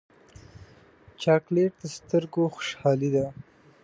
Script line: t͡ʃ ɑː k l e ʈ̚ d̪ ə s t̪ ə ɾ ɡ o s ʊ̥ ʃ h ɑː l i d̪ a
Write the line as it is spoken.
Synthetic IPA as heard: t͡ʃ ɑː k l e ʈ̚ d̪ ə s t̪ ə ɾ ɡ o x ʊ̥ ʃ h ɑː l i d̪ a